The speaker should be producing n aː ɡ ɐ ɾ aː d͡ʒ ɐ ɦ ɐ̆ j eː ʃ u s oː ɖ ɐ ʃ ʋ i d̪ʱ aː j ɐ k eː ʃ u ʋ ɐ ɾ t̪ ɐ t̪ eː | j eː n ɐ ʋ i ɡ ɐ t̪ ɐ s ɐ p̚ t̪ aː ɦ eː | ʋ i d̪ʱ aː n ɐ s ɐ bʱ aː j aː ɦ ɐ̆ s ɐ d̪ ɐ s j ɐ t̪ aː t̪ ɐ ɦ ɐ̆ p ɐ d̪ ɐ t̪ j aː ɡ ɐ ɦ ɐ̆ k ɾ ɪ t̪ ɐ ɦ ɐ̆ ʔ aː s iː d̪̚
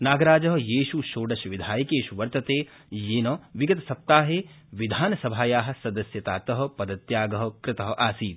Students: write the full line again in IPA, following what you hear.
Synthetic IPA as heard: n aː ɡ ɐ ɾ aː d͡ʒ ɐ ɦ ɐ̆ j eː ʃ u ʃ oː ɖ ɐ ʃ ʋ i d̪ʱ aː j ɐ k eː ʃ u ʋ ɐ ɾ t̪ ɐ t̪ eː | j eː n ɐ ʋ i ɡ ɐ t̪ ɐ s ɐ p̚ t̪ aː ɦ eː | ʋ i d̪ʱ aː n ɐ s ɐ bʱ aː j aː ɦ ɐ̆ s ɐ d̪ ɐ s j ɐ t̪ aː t̪ ɐ ɦ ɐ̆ p ɐ d̪ ɐ t̪ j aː ɡ ɐ ɦ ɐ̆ k ɾ ɪ t̪ ɐ ɦ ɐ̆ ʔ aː s iː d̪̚